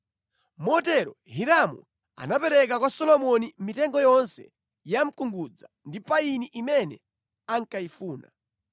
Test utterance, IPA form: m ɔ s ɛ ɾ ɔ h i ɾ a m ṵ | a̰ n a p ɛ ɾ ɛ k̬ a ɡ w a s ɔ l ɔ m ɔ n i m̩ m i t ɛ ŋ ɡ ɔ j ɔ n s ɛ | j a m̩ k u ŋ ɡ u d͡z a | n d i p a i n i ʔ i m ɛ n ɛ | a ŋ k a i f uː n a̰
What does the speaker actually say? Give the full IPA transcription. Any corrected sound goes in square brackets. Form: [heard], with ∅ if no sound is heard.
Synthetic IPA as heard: m ɔ [t] ɛ ɾ ɔ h i ɾ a m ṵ | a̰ n a p ɛ ɾ ɛ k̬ a [k] w a s ɔ l ɔ m ɔ n i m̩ m i t ɛ ŋ ɡ ɔ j ɔ n s ɛ | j a m̩ k u ŋ ɡ u d͡z a | n d i p a i n i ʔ i m ɛ n ɛ | a ŋ k a i f uː n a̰